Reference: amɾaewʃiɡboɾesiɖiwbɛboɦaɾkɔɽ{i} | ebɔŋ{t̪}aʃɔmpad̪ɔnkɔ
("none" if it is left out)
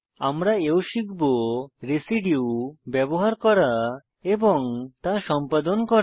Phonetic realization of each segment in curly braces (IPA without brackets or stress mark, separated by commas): a, t̪